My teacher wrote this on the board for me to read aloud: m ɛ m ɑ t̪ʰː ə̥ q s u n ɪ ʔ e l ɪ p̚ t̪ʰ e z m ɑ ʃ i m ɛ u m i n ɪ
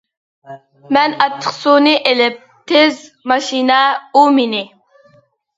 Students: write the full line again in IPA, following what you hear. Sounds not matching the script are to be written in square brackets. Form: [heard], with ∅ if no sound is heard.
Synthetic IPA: m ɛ [n] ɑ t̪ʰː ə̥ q s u n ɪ ʔ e l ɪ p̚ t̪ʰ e z m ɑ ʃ i [n] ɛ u m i n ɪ